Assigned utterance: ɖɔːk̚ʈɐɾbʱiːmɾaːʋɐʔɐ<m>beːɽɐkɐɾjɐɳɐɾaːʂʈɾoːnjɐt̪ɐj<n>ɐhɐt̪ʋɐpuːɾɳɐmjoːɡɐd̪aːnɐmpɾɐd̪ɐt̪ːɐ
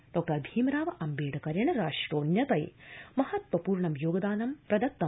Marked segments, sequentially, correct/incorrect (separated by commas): correct, incorrect